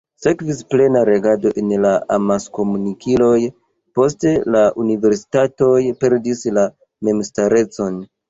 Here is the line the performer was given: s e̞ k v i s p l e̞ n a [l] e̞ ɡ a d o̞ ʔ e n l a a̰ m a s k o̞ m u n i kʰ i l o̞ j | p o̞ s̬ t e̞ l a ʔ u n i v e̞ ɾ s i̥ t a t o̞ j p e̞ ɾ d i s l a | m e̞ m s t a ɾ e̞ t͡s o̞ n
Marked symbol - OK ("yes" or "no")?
no